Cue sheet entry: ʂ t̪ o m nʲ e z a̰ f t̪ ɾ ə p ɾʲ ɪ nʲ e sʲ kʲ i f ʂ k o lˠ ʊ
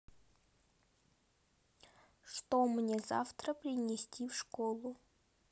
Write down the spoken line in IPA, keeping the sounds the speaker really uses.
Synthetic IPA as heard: ʂ t̪ o m nʲ e z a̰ f t̪ ɾ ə p ɾʲ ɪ nʲ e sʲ tʲ i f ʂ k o lˠ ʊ